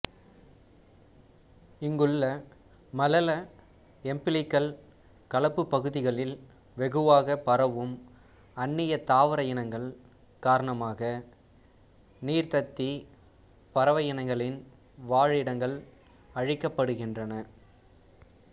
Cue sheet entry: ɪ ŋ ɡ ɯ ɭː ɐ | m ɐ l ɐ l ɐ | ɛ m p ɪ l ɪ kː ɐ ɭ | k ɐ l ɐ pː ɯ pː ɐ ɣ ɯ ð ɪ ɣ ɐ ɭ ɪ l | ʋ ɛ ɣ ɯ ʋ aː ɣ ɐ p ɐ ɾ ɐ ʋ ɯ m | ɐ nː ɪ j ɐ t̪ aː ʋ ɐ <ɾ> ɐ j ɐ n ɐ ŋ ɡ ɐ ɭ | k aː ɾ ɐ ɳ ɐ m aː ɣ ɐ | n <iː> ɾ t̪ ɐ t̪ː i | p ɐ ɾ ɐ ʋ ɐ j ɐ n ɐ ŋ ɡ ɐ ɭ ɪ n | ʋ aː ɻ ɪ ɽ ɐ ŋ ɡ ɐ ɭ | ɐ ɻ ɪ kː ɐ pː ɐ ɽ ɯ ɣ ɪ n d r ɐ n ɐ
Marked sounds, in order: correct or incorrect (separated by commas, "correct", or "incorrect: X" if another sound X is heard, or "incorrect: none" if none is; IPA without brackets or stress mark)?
correct, correct